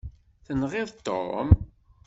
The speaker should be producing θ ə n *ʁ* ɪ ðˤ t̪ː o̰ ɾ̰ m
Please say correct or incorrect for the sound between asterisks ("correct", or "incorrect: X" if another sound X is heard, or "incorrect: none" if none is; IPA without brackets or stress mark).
correct